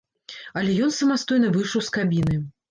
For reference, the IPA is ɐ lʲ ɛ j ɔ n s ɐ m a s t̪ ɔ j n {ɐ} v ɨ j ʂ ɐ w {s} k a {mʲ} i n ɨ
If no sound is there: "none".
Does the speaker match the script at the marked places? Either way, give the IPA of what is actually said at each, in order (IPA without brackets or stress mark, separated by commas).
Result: ɐ, s, bʲ